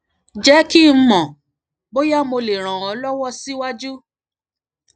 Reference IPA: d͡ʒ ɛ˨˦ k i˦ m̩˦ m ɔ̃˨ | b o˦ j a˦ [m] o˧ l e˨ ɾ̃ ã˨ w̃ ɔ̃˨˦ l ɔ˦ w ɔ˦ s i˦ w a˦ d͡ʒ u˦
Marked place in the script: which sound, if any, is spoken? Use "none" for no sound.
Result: m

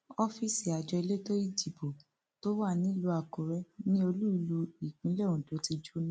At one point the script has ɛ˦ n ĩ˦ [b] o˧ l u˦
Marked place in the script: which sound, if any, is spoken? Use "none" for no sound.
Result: none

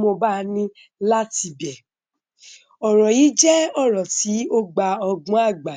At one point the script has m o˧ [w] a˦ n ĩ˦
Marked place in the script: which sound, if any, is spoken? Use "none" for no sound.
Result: b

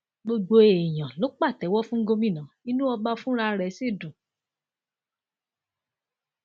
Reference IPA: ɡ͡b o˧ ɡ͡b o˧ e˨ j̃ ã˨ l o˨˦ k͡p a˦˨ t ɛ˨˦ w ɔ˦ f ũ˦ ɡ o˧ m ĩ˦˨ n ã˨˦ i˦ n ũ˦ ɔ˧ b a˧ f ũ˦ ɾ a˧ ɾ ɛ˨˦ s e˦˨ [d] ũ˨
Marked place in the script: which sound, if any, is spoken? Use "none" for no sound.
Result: d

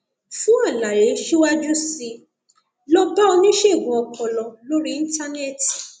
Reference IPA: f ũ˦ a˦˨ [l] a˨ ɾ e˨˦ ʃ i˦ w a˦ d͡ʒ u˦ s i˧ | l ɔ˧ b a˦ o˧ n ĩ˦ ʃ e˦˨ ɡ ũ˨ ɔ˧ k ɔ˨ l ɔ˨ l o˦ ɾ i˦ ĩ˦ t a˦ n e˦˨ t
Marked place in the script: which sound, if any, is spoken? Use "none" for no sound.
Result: l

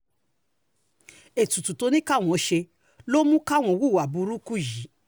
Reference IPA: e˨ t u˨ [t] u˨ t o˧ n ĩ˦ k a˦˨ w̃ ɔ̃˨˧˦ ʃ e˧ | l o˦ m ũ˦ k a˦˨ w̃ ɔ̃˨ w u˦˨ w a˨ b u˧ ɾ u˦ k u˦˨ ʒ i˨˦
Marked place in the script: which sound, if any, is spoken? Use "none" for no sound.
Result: t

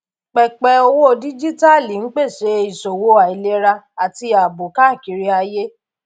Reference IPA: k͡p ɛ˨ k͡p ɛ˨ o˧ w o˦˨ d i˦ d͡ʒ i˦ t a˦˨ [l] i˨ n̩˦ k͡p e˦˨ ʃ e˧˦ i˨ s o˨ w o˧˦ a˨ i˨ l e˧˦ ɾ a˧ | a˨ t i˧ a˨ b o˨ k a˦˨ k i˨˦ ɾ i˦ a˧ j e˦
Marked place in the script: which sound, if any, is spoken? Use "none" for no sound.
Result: l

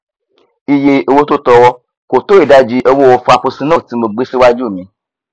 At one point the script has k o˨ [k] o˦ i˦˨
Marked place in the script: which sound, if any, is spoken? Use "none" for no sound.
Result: t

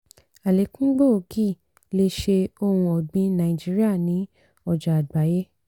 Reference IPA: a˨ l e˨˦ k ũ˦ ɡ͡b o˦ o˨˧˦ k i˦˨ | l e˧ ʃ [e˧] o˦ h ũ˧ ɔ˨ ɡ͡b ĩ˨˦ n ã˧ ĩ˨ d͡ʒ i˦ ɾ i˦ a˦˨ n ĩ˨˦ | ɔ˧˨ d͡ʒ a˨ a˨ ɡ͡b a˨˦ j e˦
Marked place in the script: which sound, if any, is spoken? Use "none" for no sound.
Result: e˧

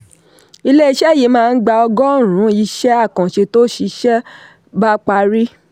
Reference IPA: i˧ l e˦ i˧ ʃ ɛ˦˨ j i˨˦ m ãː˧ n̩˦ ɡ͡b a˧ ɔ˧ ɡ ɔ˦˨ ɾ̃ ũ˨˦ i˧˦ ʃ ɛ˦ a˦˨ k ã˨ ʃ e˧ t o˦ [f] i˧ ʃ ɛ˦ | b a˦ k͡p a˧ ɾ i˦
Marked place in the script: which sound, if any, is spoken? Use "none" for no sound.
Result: ʃ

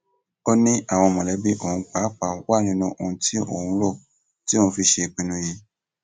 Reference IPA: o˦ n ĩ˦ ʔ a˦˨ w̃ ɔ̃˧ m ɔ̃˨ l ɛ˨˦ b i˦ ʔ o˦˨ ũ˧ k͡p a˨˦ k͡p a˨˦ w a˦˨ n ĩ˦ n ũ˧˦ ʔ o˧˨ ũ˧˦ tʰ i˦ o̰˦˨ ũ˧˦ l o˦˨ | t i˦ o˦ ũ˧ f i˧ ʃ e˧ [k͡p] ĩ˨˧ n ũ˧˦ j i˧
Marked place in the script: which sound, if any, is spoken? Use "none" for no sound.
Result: k͡p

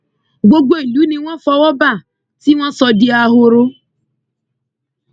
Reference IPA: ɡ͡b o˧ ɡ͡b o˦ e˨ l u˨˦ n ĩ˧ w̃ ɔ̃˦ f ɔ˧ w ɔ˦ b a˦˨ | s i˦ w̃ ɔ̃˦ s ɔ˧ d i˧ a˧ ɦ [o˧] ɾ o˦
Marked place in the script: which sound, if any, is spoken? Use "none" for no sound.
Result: o˧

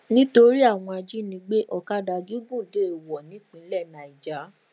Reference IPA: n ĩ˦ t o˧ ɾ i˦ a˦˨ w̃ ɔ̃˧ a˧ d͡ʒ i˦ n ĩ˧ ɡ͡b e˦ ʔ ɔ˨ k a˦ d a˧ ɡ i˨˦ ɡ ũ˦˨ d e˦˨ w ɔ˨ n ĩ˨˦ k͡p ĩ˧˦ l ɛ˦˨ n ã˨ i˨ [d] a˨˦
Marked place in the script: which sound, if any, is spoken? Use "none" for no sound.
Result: d͡ʒ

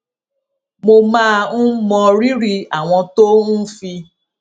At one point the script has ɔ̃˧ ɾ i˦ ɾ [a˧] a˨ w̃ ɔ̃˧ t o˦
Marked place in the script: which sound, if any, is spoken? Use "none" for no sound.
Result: i˧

